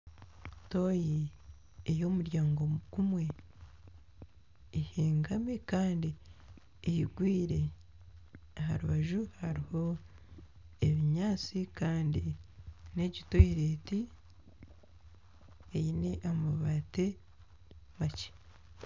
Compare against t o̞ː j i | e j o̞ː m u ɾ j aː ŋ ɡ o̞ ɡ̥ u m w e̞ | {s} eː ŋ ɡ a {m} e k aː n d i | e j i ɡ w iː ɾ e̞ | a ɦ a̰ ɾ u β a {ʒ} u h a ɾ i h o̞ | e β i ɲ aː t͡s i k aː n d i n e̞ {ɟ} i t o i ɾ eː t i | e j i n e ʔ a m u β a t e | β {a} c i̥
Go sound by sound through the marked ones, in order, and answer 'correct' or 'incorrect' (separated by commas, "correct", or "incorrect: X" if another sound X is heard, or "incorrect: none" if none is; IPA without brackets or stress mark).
incorrect: h, correct, correct, correct, correct